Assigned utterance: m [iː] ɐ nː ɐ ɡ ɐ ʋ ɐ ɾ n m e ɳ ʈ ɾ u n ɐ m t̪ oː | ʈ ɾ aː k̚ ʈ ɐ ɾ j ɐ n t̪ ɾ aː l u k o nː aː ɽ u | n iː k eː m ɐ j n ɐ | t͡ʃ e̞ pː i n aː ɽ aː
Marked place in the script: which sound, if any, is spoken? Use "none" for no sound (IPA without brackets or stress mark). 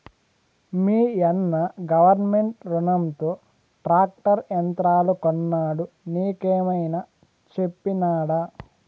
iː